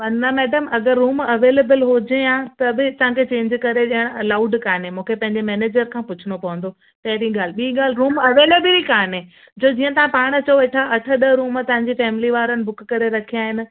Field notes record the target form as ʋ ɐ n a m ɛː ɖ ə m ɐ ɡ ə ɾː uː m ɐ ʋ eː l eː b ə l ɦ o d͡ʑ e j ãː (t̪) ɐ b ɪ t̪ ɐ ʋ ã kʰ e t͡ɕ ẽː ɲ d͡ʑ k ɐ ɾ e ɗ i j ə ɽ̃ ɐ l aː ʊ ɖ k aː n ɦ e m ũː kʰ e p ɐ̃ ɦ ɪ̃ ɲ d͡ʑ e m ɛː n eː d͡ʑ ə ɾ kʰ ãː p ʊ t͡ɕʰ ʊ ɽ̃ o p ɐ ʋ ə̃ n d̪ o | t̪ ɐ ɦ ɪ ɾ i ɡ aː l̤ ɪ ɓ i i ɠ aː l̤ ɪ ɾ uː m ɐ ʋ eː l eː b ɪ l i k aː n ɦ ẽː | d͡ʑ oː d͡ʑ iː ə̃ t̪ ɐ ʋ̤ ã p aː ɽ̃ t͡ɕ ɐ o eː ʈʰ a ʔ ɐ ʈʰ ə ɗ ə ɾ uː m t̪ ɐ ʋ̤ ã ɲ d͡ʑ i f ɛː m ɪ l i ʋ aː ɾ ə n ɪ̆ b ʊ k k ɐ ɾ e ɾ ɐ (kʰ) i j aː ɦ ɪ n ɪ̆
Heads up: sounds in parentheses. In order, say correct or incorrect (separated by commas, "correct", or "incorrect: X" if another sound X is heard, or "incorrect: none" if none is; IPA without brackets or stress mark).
correct, correct